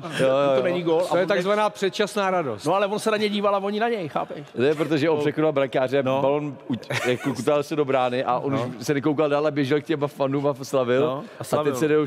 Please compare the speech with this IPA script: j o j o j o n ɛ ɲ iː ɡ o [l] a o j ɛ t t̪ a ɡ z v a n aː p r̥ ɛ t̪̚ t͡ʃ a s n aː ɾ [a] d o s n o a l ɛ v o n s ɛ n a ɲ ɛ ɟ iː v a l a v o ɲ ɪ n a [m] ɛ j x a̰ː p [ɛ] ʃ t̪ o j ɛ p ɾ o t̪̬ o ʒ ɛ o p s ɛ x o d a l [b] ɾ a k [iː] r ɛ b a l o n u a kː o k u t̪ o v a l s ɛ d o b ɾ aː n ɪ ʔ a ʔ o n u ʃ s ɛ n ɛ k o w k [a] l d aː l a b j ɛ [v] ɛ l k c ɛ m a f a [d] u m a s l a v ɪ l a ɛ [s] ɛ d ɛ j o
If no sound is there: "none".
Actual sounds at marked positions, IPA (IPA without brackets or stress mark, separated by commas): l, a, ɲ, ɛ, b, aː, a, ʒ, n, s